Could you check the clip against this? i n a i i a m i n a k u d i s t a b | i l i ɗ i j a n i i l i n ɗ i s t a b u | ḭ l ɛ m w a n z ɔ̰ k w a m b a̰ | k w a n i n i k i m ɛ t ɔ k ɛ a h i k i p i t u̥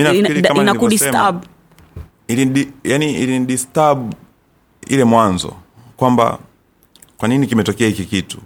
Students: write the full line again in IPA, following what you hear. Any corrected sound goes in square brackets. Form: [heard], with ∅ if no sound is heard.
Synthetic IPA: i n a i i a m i n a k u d i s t a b | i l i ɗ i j a n i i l i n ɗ i s t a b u | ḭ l ɛ m w a n z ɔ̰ k w a m b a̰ | k w a n i n i k i m ɛ t ɔ k ɛ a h i k i [k] i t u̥